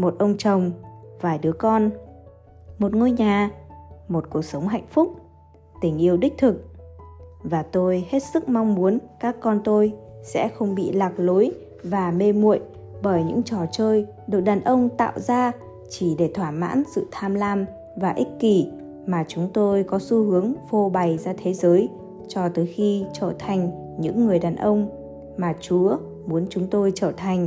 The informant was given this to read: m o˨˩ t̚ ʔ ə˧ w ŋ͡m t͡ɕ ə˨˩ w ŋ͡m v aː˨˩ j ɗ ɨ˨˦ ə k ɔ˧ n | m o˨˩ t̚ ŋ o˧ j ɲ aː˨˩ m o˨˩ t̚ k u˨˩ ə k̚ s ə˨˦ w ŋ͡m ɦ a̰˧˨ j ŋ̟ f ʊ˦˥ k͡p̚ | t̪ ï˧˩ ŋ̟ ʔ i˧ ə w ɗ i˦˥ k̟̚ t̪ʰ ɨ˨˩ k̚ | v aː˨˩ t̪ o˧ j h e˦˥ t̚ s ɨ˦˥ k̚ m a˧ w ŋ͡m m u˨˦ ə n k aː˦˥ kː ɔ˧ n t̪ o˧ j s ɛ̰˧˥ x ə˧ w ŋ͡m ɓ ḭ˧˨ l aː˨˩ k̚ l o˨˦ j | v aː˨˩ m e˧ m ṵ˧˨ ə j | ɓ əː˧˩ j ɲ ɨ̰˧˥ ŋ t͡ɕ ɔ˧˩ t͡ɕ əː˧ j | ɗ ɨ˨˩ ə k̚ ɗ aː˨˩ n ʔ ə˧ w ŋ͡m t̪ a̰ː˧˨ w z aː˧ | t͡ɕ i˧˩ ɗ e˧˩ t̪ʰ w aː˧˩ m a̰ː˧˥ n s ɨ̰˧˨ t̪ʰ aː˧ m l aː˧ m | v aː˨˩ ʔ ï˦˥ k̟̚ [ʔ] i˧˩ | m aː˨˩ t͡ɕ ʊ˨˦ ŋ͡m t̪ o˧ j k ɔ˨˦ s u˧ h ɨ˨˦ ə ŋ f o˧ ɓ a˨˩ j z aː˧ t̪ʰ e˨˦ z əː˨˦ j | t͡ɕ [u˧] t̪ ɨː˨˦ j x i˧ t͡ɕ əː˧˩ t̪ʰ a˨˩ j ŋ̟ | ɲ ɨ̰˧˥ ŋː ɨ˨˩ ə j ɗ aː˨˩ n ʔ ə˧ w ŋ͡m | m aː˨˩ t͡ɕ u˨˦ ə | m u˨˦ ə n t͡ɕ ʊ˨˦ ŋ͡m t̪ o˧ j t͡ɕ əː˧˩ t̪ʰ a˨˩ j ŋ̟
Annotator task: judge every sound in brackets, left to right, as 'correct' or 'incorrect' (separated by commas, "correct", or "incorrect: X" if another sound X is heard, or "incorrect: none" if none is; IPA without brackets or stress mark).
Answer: incorrect: k, incorrect: ɔ˧